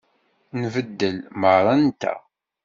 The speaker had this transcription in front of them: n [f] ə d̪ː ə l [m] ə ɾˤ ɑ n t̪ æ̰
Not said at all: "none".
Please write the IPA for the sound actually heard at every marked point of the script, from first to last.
v, m

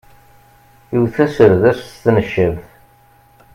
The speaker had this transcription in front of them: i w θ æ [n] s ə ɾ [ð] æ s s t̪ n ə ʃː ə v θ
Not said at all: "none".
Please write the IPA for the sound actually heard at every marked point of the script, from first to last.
none, ð

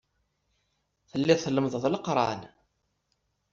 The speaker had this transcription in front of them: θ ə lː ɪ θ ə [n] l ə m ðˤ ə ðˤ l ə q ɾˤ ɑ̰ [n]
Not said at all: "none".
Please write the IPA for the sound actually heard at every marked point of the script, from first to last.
none, n

